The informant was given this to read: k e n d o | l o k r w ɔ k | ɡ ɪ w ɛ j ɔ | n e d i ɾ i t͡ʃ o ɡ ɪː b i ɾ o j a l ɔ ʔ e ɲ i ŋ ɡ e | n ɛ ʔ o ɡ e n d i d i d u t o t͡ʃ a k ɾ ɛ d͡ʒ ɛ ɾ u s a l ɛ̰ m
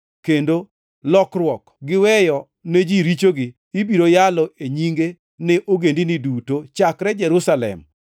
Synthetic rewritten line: k e n d o | l ɔ k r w ɔ k | ɡ ɪ w ɛ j ɔ | n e d͡ʒ i ɾ i t͡ʃ o ɡ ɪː b i ɾ o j a l ɔ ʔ e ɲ i ŋ ɡ e | n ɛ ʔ o ɡ e n d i n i d u t o t͡ʃ a k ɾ ɛ d͡ʒ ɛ ɾ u s a l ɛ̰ m